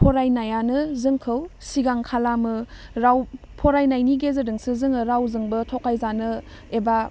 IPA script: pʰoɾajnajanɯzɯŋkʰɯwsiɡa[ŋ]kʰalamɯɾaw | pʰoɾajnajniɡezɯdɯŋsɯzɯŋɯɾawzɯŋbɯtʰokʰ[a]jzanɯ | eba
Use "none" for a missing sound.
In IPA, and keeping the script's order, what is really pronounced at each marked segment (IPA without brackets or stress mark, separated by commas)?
ŋ, a